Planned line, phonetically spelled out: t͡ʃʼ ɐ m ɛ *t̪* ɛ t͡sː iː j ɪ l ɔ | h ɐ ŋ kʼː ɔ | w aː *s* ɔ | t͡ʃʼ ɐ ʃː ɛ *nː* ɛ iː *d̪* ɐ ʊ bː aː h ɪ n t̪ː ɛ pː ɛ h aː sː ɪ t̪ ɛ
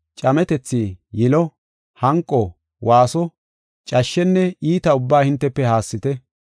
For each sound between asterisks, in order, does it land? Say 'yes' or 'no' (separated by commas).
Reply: yes, yes, yes, no